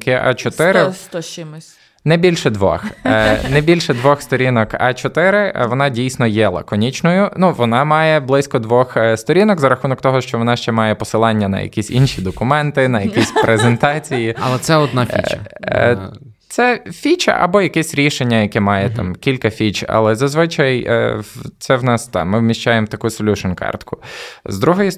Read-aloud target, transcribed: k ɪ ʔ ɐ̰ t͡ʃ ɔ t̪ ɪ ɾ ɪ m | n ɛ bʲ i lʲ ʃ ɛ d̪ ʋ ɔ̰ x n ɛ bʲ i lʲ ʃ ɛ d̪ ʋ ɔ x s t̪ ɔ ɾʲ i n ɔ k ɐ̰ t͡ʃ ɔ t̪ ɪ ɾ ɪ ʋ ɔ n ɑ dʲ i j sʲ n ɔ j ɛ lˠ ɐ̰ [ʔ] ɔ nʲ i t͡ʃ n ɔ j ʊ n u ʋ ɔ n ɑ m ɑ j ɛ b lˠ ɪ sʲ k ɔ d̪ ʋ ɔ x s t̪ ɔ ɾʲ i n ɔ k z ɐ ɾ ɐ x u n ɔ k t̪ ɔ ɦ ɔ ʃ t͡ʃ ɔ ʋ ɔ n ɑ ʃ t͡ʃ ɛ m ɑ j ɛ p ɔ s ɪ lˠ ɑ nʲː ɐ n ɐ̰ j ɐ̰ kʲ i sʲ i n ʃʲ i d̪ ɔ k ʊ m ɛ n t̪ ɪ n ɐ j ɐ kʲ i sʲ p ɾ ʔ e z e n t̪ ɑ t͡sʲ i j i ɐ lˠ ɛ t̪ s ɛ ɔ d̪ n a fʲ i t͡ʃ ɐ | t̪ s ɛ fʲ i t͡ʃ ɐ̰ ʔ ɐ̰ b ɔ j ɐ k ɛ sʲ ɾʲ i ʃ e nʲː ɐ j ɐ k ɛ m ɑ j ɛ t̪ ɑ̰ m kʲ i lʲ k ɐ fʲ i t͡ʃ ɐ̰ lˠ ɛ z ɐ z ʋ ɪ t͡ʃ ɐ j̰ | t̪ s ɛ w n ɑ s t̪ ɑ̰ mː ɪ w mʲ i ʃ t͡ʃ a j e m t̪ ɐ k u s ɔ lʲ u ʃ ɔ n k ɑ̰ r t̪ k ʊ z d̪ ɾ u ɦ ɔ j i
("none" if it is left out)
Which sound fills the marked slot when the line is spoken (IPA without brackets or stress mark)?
k